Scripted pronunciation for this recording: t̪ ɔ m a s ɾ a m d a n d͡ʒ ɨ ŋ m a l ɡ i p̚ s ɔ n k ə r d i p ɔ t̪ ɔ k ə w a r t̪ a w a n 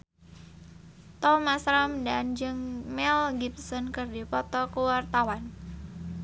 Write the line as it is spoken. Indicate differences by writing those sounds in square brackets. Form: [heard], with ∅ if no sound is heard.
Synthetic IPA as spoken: t̪ ɔ m a s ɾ a m d a n d͡ʒ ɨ ŋ m [ɛ] l ɡ i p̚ s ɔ n k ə r d i p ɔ t̪ ɔ k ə w a r t̪ a w a n